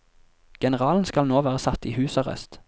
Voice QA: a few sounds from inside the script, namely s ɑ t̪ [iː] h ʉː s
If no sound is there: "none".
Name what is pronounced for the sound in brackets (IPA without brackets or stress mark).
iː